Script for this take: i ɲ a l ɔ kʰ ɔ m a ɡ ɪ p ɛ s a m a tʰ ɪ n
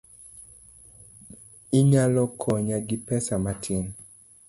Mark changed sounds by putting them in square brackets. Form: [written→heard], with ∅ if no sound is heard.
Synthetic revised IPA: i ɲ a l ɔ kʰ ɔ [m→ɲ] a ɡ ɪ p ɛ s a m a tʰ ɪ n